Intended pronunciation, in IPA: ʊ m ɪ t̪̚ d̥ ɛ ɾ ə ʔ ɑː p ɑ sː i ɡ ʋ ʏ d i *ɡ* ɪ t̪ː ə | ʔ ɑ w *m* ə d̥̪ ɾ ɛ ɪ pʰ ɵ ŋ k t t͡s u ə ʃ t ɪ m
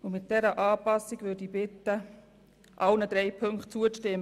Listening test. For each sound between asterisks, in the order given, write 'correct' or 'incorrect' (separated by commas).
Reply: incorrect, incorrect